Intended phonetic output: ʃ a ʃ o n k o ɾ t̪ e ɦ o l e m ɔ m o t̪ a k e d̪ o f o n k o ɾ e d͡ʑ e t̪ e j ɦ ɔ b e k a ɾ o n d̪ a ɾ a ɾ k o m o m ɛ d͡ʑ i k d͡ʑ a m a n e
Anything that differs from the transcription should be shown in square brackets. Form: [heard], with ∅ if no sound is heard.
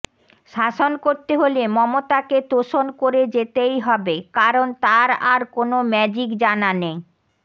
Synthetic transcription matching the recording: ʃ a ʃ o n k o ɾ t̪ e ɦ o l e m ɔ m o t̪ a k e [t̪] o [ʃ] o n k o ɾ e d͡ʑ e t̪ e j ɦ ɔ b e k a ɾ o n [t̪] a ɾ a ɾ k o [n] o m ɛ d͡ʑ i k d͡ʑ a [n] a n e